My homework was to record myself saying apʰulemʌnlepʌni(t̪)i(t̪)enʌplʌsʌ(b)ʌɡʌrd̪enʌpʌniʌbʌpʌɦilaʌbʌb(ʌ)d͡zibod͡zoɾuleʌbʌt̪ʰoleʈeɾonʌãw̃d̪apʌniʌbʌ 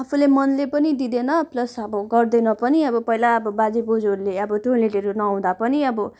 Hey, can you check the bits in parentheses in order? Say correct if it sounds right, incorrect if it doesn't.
incorrect: d̪, incorrect: d̪, correct, incorrect: a

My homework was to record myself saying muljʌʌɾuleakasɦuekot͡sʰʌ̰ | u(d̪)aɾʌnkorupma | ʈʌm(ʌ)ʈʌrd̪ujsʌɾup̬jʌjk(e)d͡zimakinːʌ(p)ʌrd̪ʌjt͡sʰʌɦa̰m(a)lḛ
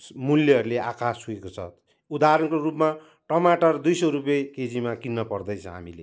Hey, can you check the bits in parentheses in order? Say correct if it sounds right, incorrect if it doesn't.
correct, incorrect: a, correct, correct, incorrect: i

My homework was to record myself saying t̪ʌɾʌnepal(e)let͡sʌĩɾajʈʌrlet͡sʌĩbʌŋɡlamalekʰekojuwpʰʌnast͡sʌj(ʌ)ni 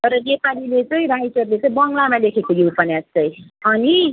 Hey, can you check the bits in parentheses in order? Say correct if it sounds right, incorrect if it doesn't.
incorrect: i, correct

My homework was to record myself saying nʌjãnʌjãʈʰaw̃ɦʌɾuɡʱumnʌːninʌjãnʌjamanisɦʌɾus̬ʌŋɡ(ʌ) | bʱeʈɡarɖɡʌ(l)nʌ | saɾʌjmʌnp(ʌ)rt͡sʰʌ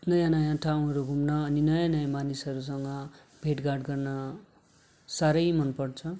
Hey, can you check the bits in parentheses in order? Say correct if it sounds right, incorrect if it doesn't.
correct, incorrect: r, correct

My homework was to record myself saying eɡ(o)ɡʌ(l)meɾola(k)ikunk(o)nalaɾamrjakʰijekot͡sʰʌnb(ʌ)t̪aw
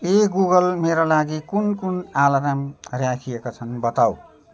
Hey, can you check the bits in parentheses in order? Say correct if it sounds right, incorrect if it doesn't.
incorrect: u, correct, incorrect: ɡ, incorrect: u, correct

